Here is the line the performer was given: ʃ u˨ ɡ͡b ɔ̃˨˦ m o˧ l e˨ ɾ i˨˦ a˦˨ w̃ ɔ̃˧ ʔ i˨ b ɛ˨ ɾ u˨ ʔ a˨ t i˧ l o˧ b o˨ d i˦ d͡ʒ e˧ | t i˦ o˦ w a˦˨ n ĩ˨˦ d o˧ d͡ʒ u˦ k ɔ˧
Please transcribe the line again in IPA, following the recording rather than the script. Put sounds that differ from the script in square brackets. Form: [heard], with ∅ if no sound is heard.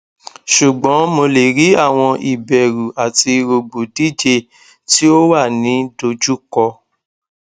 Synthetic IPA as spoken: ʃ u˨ ɡ͡b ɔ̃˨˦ m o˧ l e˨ ɾ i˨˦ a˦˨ w̃ ɔ̃˧ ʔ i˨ b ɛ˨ ɾ u˨ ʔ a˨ t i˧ [ɾ] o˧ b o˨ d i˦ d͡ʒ e˧ | t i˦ o˦ w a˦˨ n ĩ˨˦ d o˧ d͡ʒ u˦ k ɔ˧